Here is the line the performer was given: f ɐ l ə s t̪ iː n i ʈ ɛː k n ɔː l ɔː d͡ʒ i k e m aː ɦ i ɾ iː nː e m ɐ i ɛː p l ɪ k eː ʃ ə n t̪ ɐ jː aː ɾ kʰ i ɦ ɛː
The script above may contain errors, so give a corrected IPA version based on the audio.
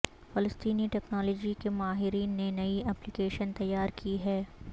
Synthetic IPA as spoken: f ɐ l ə s t̪ iː n i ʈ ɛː k n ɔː l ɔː d͡ʒ i k e m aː ɦ ɪ ɾ iː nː e n ɐ i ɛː p l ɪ k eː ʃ ə n t̪ ɐ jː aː ɾ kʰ i ɦ ɛː

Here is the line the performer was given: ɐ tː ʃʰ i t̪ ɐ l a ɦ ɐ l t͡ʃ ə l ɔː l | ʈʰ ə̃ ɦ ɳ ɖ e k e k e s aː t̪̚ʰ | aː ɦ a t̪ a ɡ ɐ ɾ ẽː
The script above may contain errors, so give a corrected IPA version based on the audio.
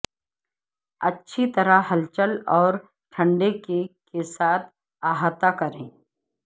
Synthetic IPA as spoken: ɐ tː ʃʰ i t̪ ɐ ɾ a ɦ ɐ l t͡ʃ ə l ɔː ɾ | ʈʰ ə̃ ɳ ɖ e k e k e s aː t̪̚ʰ | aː ɦ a t̪ a k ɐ ɾ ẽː

